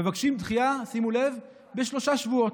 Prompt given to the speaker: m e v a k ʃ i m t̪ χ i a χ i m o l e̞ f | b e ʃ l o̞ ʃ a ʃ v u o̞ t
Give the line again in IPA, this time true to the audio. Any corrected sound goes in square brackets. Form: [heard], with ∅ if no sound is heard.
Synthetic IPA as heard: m e v a k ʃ i m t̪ χ i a [s] i m [u] l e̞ [v] | b e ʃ l o̞ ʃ a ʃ v u o̞ t